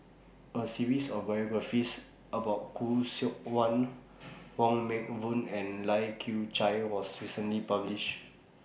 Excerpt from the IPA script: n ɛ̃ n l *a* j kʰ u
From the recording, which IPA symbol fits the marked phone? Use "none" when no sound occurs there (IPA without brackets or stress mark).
a